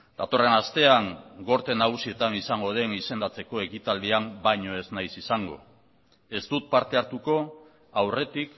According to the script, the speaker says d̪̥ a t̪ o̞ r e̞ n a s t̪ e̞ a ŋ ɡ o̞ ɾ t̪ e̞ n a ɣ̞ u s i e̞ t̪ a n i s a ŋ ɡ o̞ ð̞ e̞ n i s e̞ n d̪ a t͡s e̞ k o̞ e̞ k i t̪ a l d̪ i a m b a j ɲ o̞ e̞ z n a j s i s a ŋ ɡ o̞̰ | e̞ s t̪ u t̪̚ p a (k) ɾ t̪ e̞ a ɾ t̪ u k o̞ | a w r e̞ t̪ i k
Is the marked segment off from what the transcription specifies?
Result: yes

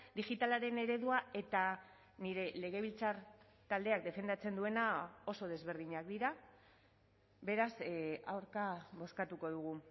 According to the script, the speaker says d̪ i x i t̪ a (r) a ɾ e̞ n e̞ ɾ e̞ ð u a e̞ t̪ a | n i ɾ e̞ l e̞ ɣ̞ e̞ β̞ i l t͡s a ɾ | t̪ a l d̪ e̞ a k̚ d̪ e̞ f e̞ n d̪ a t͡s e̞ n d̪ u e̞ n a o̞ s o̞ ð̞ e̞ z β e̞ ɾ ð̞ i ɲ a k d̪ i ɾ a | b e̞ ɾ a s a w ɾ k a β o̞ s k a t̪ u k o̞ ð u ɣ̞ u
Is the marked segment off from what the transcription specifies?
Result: yes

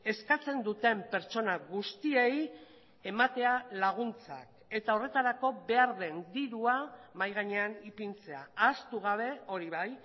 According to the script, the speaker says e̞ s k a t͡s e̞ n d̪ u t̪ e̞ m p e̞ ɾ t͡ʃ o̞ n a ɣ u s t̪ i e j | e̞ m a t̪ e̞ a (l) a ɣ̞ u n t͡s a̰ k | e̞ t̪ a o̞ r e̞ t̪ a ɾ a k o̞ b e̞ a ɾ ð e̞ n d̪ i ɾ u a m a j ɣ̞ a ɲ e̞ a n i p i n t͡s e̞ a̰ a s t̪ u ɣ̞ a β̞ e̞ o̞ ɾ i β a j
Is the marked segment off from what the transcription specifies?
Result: no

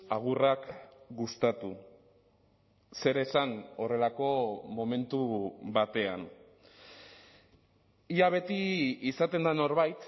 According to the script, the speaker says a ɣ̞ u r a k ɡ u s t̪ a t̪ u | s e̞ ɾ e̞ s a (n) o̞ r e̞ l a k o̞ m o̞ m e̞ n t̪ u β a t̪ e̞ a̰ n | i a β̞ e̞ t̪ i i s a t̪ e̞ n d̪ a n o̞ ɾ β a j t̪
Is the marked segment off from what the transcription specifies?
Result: no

